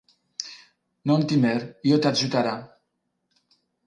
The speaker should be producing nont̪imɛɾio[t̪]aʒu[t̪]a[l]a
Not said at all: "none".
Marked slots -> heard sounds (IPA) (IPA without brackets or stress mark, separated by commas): t̪, t̪, ɾ